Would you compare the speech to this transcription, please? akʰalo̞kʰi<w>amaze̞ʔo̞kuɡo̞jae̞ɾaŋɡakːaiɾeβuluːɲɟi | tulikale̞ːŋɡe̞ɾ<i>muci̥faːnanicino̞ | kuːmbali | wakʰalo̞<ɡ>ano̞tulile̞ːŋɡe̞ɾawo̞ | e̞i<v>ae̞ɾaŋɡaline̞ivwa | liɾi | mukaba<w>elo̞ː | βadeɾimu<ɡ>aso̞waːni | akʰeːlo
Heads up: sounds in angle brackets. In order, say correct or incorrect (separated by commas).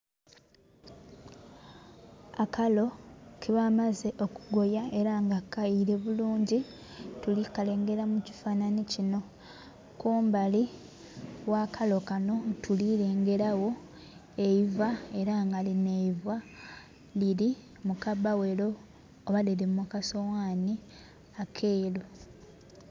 incorrect, incorrect, incorrect, correct, correct, incorrect